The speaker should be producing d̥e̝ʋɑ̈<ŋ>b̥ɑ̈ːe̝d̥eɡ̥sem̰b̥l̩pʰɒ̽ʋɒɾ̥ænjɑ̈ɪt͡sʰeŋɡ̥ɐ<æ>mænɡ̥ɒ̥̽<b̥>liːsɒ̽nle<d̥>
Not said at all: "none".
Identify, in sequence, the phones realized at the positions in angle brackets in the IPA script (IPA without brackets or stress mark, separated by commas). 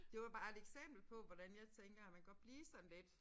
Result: none, æ, b̥, d̥